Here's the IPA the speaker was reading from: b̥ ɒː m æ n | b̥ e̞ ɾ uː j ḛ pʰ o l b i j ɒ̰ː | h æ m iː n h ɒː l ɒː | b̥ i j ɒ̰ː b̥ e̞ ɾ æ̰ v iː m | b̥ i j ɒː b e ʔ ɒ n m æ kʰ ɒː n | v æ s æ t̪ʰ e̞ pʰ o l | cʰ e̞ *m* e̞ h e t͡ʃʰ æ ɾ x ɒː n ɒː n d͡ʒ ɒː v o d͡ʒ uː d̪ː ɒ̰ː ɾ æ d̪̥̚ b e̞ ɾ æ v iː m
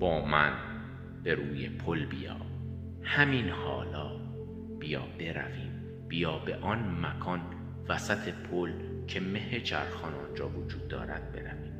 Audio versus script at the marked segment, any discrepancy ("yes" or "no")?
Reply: no